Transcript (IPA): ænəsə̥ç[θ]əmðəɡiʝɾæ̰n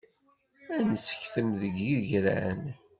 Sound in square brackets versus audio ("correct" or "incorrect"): correct